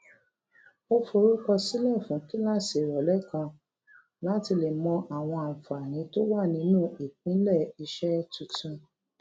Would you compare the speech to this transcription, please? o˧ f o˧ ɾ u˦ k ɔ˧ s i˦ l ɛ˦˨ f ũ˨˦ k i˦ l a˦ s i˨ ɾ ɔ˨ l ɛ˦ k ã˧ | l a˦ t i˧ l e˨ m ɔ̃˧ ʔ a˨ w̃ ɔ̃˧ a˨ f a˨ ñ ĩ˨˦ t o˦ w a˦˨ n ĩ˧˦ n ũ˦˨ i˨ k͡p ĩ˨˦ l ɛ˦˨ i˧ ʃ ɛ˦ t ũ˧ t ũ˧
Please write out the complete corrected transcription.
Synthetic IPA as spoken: o˧ f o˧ ɾ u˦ k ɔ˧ s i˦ l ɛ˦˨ f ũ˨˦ k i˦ l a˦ s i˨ ɾ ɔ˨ l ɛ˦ k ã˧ | l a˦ t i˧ l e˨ m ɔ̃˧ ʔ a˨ w̃ ɔ̃˧ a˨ f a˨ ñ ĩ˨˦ t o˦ w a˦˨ n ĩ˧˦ n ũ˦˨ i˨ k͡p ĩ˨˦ l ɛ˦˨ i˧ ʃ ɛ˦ t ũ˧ t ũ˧